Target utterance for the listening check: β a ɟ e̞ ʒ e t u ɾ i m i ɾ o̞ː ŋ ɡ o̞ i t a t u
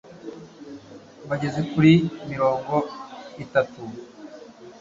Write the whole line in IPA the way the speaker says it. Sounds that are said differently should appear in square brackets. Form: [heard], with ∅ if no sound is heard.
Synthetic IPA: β a ɟ e̞ [z] e [k] u ɾ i m i ɾ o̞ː ŋ ɡ o̞ i t a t u